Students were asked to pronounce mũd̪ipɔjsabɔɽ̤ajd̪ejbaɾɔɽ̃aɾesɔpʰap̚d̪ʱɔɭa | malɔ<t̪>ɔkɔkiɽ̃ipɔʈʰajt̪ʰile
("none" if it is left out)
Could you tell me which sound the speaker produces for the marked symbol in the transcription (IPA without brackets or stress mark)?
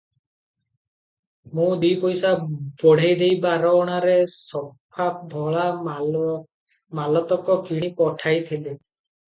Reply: t̪